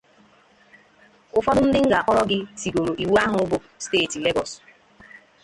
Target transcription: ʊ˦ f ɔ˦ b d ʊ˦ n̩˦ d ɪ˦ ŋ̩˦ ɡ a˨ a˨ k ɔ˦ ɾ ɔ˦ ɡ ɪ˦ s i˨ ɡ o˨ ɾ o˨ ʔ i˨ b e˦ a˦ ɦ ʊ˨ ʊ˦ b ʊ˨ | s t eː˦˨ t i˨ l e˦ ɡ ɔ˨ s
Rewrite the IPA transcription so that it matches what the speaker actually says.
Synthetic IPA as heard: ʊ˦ f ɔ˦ d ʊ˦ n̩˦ d ɪ˦ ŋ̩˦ ɡ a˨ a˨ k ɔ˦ ɾ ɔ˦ ɡ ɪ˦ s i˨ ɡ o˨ ɾ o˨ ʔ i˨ w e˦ a˦ ɦ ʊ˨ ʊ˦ b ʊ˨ | s t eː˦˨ t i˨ l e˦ ɡ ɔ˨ s